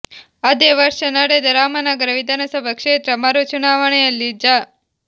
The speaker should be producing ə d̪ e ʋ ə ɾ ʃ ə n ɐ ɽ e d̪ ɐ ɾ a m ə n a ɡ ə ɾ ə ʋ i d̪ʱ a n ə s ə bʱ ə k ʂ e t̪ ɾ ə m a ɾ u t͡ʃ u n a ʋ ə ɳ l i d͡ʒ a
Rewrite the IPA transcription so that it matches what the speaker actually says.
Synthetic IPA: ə d̪ e ʋ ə ɾ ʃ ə n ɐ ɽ e d̪ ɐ ɾ a m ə n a ɡ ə ɾ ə ʋ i d̪ʱ a n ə s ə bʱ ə k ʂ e t̪ ɾ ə m a ɾ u t͡ʃ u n a ʋ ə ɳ l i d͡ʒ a